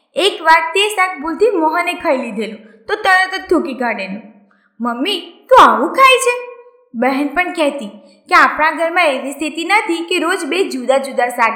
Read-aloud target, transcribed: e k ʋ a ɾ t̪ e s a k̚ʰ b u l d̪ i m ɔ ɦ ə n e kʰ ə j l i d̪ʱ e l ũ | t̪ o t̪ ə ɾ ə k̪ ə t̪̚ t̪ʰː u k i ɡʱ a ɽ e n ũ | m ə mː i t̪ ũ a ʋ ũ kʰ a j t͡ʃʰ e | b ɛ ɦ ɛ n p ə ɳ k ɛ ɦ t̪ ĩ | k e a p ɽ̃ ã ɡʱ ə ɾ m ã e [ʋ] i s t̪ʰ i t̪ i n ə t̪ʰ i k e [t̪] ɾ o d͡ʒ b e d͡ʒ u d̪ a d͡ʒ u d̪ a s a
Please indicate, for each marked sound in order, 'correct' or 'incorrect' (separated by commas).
correct, incorrect